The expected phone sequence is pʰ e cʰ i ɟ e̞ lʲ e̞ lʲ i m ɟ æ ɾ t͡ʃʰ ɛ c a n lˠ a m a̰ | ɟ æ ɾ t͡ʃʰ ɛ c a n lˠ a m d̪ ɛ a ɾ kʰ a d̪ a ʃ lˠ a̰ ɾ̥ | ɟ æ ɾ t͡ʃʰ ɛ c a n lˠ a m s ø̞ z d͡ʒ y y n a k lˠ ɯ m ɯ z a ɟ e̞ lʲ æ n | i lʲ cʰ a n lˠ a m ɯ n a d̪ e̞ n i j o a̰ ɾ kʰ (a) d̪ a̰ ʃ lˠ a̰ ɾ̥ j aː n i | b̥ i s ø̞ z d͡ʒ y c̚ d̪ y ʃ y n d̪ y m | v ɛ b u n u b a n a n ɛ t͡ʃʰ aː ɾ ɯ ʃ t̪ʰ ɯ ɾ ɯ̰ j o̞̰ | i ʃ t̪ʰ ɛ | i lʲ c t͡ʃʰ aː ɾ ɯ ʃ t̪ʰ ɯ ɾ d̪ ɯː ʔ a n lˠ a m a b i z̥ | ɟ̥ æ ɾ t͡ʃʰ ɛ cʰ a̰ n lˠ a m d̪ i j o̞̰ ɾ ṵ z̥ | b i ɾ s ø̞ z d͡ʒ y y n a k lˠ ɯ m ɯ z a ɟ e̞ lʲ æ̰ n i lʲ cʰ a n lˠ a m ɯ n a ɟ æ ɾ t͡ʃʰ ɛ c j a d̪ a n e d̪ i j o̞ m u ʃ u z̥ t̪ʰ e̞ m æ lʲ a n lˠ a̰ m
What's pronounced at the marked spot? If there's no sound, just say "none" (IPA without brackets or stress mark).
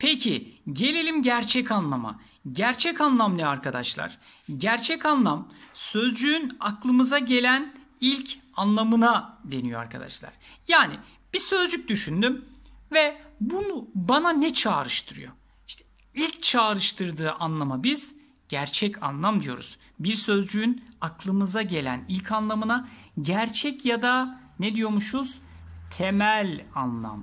a